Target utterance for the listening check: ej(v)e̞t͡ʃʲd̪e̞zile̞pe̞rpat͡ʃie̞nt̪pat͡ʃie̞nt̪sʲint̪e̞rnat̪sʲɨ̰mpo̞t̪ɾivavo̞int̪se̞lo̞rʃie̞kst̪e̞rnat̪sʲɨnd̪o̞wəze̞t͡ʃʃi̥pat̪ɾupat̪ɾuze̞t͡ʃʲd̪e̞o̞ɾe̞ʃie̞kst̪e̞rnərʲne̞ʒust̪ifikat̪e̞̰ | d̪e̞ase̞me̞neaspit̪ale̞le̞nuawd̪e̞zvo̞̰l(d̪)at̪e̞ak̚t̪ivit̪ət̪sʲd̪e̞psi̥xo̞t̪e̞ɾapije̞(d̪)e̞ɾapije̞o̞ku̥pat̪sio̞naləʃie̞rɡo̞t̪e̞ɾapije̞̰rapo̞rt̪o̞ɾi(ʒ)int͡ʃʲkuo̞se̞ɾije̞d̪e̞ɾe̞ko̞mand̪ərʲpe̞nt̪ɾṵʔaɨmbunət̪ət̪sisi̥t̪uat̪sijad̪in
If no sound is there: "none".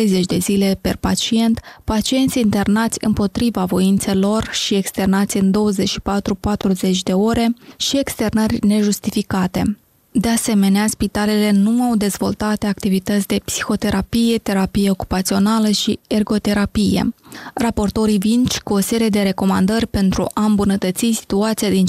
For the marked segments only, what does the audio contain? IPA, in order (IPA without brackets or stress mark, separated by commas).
z, t̪, t̪, v